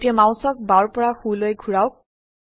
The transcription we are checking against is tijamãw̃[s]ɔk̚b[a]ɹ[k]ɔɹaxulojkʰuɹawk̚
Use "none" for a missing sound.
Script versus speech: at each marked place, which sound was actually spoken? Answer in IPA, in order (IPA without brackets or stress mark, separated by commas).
s, a, p